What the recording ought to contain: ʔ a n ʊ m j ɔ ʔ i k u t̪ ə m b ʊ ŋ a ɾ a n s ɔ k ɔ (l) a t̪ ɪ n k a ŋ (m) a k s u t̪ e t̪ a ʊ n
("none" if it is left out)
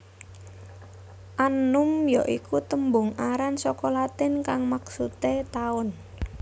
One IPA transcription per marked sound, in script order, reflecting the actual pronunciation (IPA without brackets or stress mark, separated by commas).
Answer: l, m